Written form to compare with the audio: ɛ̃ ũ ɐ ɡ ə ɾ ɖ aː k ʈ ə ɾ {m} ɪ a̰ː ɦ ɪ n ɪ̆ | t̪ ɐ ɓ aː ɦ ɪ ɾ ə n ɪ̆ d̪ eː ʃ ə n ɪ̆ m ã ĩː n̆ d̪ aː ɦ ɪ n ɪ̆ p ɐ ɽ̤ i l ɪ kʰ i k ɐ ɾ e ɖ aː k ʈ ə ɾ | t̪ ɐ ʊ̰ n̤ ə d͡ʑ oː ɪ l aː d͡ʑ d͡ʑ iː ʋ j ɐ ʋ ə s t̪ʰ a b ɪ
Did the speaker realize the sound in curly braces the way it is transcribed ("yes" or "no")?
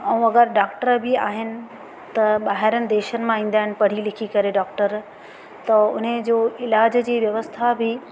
no